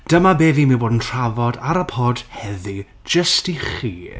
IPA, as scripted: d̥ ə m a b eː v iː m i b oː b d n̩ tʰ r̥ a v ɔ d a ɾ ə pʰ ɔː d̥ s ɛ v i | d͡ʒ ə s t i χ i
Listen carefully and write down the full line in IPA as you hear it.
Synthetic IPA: d̥ ə m a b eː v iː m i b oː d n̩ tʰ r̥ a v ɔ d a ɾ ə pʰ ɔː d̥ h ɛ ð i | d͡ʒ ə s t i χ iː